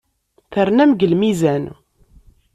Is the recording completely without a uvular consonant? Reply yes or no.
yes